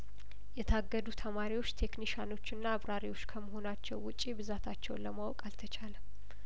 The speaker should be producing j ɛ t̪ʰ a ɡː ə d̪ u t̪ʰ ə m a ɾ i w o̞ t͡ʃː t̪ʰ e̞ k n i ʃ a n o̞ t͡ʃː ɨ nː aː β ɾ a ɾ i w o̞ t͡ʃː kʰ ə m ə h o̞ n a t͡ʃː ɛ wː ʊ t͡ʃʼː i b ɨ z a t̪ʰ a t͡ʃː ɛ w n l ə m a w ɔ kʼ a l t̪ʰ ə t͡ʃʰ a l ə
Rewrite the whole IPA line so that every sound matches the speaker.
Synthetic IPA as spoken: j ɛ t̪ʰ a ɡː ə d̪ u t̪ʰ ə m a ɾ i w o̞ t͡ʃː t̪ʰ e̞ k n i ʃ a n o̞ t͡ʃː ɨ nː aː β ɾ a ɾ i w o̞ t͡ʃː kʰ ə m ə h o̞ n a t͡ʃː ɛ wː ʊ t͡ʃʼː i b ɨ z a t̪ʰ a t͡ʃː ɛ w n l ə m a w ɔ kʼ a l t̪ʰ ə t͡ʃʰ a l ə